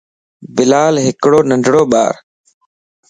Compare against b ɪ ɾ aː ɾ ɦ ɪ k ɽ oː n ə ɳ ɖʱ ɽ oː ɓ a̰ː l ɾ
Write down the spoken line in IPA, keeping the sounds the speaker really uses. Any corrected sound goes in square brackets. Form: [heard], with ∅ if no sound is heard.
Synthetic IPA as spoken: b ɪ [l] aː [l] ɦ ɪ k ɽ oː n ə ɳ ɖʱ ɽ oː ɓ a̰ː [∅] ɾ